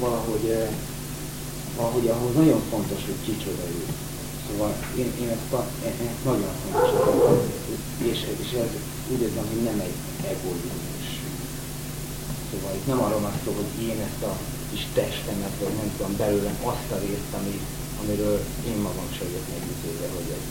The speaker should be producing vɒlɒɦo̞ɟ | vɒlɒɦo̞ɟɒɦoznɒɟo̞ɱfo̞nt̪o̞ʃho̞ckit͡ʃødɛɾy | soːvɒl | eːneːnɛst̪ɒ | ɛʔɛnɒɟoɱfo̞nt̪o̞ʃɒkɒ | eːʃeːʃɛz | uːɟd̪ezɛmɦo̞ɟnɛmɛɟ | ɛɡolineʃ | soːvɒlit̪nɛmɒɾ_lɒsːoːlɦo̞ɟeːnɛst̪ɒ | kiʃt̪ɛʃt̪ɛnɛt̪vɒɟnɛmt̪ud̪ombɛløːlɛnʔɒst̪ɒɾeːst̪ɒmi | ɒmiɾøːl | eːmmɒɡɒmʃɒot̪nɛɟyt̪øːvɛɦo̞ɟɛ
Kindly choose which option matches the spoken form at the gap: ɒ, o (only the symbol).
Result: o